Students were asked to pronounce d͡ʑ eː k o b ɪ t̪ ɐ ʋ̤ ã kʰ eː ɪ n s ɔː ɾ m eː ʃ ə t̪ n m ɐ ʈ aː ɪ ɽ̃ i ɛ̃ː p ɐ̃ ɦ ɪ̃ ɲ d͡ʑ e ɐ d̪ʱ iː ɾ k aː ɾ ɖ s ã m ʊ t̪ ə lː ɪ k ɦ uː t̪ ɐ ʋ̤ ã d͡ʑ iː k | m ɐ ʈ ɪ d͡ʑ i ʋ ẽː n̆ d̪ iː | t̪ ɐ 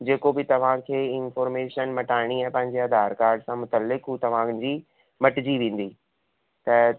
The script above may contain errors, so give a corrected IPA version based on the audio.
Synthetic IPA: d͡ʑ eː k o b ɪ t̪ ɐ ʋ̤ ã kʰ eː ɪ n f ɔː ɾ m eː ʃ ə n m ɐ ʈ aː ɪ ɽ̃ i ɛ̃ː p ɐ̃ ɦ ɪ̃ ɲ d͡ʑ e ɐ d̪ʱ aː ɾ k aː ɾ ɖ s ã m ʊ t̪ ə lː ɪ k ɦ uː t̪ ɐ ʋ̤ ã d͡ʑ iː | m ɐ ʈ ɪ d͡ʑ i ʋ ẽː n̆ d̪ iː | t̪ ɐ